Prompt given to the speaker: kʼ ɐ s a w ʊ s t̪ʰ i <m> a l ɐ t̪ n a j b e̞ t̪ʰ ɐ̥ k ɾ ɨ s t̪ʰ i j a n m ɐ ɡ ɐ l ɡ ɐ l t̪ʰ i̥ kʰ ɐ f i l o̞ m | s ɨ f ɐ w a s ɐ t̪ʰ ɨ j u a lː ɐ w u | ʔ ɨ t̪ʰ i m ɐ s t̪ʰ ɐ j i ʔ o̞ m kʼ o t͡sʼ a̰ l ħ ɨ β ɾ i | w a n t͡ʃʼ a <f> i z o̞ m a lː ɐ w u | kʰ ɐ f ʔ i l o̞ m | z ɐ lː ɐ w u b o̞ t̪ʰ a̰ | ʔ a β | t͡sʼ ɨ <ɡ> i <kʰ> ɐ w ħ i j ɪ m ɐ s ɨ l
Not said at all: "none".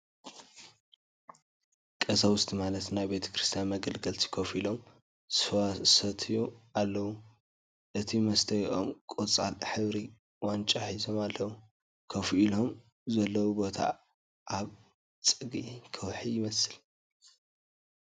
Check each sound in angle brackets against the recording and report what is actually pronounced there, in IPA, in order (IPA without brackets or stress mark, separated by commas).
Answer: m, ħ, ɡ, kʰ